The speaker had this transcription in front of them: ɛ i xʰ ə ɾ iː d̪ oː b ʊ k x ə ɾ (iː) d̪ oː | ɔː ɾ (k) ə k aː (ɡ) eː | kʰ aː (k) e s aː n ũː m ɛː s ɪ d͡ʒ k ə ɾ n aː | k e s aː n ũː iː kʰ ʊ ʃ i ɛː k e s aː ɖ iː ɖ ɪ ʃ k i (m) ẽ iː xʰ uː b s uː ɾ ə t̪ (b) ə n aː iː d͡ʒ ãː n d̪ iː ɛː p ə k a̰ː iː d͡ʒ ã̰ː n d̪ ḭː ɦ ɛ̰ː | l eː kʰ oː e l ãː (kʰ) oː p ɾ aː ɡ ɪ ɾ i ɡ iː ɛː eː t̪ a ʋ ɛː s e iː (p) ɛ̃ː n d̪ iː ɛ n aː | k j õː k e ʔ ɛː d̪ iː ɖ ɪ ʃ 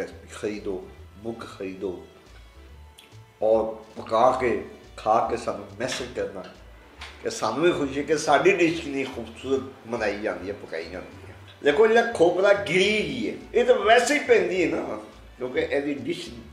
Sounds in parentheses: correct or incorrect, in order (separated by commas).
correct, incorrect, incorrect, correct, incorrect, incorrect, correct, correct